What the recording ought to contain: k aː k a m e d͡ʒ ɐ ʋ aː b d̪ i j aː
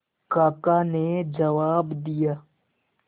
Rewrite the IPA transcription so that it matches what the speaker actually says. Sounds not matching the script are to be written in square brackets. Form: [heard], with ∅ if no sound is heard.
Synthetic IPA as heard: k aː k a [n] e d͡ʒ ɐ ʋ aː b d̪ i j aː